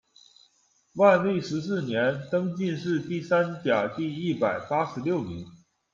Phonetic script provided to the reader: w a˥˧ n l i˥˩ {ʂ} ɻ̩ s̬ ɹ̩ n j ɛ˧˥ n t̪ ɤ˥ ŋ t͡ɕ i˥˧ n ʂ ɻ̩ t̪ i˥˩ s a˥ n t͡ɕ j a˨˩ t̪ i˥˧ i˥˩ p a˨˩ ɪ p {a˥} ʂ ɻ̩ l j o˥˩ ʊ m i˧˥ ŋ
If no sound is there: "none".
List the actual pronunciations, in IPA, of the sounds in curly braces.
ʂ, a˥

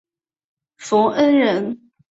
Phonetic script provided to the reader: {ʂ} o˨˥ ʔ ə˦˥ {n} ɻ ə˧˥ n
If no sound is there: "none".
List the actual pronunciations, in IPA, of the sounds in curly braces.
f, n

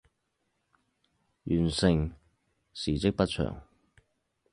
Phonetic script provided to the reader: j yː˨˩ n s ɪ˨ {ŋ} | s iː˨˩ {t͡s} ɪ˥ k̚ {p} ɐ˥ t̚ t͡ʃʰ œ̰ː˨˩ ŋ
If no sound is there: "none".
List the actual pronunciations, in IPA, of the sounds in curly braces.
ŋ, t͡s, p

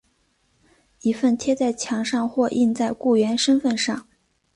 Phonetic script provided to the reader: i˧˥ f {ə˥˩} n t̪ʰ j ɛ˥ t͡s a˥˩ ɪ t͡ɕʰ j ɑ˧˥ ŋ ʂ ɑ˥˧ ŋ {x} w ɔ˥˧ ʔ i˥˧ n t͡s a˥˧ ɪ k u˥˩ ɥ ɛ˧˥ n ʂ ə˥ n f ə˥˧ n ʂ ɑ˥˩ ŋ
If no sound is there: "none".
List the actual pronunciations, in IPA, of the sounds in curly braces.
ə˥˩, x

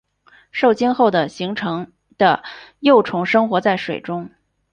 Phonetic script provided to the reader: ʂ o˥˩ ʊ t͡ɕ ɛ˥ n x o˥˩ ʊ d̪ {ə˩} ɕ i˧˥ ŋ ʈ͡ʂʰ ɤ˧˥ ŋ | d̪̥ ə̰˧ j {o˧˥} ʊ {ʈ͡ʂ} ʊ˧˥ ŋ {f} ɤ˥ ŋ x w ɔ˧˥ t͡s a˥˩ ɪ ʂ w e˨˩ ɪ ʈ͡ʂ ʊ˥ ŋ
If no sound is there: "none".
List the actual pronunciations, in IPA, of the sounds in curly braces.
ə˩, o˥˩, ʈ͡ʂʰ, ʂ

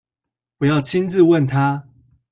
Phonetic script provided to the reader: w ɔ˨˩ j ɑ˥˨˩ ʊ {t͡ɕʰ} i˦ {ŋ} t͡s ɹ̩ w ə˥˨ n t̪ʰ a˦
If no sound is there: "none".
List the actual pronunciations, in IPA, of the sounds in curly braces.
t͡ɕʰ, n

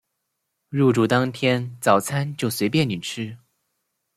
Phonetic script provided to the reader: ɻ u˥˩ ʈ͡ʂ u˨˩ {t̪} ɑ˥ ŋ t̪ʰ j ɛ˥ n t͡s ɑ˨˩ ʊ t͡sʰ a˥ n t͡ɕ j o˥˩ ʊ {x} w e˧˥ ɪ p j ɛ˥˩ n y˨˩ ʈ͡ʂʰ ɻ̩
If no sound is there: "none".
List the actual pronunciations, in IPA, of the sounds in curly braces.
t̪, s

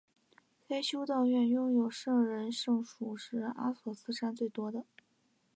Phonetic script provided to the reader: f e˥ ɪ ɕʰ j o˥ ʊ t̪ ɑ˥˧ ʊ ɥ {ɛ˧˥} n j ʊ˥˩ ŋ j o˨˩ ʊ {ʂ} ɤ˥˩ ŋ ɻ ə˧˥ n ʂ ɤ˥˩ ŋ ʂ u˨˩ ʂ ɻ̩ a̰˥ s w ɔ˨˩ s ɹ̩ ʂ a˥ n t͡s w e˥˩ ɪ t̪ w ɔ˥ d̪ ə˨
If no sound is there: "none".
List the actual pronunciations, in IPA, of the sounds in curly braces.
ɛ˥˧, ʂ

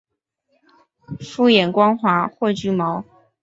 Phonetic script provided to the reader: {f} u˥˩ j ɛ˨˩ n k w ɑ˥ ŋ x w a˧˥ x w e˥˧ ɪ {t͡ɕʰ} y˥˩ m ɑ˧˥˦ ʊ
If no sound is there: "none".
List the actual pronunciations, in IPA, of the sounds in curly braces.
f, t͡ɕ

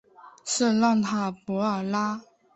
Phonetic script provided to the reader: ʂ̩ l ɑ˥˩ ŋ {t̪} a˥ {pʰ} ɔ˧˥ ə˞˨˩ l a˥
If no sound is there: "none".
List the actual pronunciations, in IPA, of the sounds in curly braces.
t̪ʰ, p

